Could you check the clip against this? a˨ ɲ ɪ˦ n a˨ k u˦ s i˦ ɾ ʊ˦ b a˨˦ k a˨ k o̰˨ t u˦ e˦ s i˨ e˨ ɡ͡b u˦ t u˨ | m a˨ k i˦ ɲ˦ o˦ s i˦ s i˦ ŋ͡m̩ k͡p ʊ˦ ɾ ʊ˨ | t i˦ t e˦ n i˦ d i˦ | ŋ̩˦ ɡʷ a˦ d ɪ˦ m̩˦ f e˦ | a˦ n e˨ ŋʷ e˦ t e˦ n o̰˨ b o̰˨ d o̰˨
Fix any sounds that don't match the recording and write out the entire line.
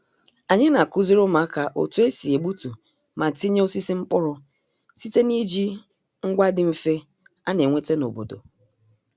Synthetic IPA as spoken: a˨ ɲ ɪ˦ n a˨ k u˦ z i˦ ɾ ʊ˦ m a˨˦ k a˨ ʔ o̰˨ t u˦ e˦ s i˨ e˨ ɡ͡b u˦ t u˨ | m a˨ t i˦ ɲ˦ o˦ s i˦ s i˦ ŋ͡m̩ k͡p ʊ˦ ɾ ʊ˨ | s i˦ t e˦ n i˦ d͡ʒ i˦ | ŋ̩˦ ɡʷ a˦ d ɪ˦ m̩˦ f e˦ | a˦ n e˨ ŋʷ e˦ t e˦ n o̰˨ b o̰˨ d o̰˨